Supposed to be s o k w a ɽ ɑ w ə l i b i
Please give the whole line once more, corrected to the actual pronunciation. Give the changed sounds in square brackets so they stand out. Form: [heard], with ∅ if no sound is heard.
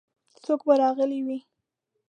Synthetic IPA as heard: s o k [b] a [ɾ] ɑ [ɣ] ə l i [w] i